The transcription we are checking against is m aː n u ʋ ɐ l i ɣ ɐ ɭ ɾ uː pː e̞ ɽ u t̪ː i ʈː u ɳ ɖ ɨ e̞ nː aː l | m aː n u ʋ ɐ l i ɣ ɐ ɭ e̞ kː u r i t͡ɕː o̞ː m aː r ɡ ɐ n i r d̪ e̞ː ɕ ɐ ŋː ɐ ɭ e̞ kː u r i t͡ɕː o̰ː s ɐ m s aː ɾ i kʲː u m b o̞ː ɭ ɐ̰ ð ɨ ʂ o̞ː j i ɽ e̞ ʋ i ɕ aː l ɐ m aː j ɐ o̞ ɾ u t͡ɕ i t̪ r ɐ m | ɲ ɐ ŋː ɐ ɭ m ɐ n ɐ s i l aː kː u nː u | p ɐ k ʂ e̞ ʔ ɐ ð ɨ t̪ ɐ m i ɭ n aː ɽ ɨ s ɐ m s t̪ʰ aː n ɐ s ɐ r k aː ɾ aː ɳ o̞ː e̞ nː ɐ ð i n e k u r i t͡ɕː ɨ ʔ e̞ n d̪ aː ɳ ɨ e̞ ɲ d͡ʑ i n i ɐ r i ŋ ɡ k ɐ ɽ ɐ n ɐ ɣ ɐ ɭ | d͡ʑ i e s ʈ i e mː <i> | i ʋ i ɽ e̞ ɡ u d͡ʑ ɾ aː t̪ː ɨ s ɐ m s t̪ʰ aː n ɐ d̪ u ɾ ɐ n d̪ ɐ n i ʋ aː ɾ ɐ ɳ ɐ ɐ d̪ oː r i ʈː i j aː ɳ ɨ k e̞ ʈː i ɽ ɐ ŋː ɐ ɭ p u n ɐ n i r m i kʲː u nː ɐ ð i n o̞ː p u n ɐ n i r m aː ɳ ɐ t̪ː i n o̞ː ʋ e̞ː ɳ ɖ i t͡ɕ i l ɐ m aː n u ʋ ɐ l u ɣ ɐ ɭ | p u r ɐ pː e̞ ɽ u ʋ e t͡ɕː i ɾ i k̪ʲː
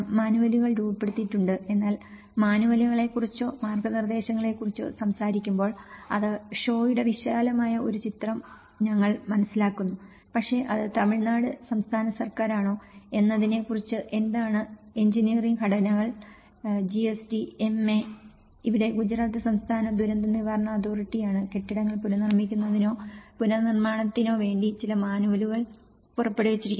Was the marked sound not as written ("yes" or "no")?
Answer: yes